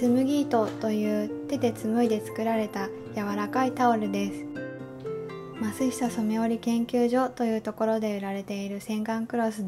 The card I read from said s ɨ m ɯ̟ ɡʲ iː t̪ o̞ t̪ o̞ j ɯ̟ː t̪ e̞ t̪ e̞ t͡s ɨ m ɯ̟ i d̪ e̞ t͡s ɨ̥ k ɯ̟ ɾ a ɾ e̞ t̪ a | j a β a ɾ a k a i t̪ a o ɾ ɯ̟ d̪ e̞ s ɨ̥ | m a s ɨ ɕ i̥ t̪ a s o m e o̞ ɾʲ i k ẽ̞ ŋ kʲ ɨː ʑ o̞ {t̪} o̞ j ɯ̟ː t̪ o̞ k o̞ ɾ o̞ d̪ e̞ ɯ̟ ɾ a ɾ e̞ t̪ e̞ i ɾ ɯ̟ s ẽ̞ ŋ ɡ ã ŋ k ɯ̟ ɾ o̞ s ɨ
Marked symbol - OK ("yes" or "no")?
yes